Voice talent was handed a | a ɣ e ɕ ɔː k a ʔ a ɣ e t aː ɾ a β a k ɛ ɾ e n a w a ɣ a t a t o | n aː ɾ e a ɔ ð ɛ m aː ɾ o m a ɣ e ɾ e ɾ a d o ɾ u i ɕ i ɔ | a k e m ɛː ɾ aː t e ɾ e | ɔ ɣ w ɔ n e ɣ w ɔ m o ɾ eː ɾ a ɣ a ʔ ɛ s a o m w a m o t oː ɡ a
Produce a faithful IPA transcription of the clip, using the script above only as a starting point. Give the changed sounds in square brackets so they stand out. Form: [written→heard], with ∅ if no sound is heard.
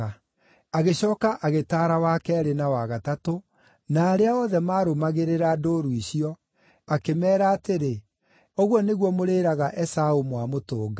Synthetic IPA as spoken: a | a ɣ e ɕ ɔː k a ʔ a ɣ e t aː ɾ a [β→w] a k ɛ ɾ e n a w a ɣ a t a t o | n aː ɾ e a ɔ ð ɛ m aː ɾ o m a ɣ e ɾ e ɾ a d o ɾ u i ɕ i ɔ | a k e m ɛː ɾ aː t e ɾ e | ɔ ɣ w ɔ n e ɣ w ɔ m o ɾ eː ɾ a ɣ a ʔ ɛ s a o m w a m o t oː ɡ a